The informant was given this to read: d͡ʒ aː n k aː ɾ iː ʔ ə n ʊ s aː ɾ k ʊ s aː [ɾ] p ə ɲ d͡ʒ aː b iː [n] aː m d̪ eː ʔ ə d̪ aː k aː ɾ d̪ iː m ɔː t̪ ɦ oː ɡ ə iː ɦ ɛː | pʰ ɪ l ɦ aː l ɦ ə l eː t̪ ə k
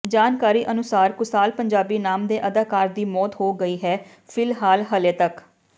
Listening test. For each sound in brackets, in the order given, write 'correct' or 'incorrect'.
incorrect, correct

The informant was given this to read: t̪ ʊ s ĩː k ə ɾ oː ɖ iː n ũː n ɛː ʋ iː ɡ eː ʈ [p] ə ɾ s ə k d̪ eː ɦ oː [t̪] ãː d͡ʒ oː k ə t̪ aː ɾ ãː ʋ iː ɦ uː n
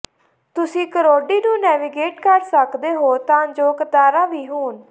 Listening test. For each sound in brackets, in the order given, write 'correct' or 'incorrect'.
incorrect, correct

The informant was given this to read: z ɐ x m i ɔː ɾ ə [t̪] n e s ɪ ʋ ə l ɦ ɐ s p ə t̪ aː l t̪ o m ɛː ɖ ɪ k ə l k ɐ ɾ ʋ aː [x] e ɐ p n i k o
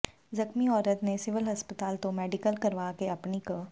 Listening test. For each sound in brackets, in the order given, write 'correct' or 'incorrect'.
correct, incorrect

